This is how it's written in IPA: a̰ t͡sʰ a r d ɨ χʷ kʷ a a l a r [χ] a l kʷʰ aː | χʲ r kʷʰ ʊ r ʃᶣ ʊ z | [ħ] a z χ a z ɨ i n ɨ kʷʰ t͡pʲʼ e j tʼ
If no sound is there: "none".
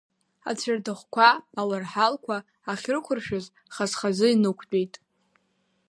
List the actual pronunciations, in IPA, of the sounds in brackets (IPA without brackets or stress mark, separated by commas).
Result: ħ, χ